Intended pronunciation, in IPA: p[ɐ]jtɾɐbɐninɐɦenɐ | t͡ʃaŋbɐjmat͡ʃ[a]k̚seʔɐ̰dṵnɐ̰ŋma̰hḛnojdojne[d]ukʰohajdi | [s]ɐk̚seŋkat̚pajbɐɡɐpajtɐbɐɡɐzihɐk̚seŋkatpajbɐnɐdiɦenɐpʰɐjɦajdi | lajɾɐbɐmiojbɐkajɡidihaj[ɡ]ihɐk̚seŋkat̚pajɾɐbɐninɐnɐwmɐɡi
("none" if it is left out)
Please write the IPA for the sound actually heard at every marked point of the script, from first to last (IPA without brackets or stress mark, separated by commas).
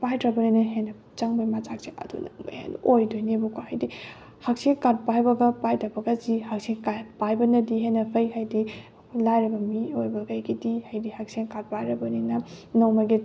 a, a, b, h, d